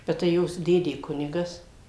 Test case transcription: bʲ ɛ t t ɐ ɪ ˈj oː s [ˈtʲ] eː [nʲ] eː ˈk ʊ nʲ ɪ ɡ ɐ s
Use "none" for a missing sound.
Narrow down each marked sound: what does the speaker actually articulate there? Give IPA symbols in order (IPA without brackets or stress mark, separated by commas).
dʲ, dʲ